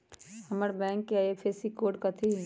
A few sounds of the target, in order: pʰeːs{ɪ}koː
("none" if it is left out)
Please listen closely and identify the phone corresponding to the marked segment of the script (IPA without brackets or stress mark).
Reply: i